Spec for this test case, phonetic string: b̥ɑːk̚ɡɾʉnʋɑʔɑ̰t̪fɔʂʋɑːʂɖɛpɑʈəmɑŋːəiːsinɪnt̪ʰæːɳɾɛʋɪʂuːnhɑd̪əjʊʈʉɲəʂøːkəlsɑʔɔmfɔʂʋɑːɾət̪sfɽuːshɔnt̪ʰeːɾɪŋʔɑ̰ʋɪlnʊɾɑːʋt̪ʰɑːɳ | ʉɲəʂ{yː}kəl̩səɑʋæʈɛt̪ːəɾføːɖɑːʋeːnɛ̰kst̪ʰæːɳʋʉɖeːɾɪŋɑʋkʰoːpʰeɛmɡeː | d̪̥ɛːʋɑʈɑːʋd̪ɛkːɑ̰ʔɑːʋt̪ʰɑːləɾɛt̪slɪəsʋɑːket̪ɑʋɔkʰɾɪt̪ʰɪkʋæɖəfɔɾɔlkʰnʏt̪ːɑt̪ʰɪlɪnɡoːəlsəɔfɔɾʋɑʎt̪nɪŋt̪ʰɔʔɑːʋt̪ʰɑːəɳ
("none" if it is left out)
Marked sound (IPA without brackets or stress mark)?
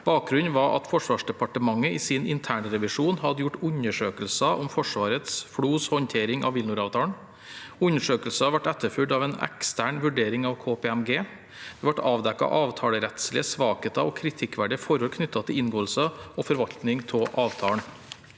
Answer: øː